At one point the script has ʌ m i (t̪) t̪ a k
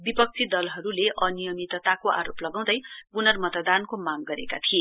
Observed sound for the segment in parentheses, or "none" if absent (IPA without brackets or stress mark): t̪